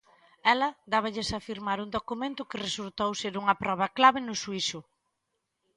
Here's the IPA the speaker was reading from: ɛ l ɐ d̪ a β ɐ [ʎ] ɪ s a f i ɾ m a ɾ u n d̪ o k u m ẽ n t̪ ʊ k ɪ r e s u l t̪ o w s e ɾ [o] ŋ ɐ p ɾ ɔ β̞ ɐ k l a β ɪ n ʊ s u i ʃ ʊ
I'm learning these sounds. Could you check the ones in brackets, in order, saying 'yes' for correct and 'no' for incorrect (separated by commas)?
yes, no